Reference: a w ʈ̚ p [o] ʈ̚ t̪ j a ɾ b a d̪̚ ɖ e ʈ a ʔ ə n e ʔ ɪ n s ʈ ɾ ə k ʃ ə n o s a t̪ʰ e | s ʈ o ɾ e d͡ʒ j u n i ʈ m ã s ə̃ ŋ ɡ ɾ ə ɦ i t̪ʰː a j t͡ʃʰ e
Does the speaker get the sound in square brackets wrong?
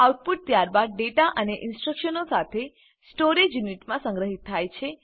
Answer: yes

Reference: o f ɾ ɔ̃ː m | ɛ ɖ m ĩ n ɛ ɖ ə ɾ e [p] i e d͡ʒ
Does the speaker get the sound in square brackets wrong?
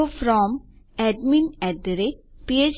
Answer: no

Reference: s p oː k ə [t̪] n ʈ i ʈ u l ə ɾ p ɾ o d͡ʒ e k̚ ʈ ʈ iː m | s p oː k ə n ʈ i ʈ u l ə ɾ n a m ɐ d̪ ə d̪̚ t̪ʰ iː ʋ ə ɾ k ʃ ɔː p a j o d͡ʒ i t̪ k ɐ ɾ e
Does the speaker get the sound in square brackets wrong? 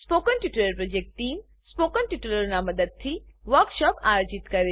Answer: yes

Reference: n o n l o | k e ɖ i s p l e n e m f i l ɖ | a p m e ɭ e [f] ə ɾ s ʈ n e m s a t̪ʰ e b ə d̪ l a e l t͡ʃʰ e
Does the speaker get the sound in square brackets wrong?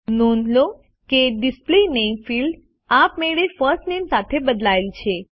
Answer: no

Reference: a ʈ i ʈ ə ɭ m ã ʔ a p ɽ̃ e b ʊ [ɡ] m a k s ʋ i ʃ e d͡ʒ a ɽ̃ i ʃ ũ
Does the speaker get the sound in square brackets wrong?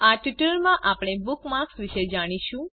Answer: yes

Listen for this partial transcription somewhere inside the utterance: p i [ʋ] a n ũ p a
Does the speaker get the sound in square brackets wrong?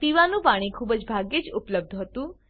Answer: no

